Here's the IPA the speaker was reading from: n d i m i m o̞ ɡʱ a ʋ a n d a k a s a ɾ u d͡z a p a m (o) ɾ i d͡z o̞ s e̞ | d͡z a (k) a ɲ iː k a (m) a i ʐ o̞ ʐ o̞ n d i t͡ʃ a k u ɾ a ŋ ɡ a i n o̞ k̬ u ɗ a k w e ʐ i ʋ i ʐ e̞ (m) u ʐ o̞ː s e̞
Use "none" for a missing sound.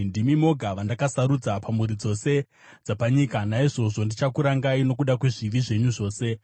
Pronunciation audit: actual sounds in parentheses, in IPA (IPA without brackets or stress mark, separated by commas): u, p, n, ɲ